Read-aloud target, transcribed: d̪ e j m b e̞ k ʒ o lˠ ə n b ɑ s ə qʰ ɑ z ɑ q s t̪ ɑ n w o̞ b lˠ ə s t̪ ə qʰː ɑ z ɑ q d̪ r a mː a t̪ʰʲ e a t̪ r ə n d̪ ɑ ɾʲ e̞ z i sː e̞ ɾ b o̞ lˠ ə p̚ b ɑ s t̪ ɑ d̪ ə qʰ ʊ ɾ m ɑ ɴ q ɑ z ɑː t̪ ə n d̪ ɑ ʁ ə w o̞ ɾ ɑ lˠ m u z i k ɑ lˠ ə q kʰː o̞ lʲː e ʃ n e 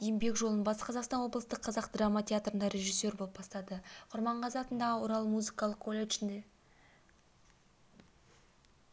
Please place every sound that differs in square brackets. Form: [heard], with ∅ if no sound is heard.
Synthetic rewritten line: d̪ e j m b e̞ k ʒ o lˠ ə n b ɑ s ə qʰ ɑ z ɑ q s t̪ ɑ n w o̞ b lˠ ə s t̪ ə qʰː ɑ z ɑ q d̪ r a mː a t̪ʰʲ e a t̪ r ə n d̪ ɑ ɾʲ e̞ [ʒ] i sː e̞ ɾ b o̞ lˠ ə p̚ b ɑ s t̪ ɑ d̪ ə qʰ ʊ ɾ m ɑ ɴ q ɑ z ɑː t̪ ə n d̪ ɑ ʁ ə w o̞ ɾ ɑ lˠ m u z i k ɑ lˠ ə q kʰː o̞ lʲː e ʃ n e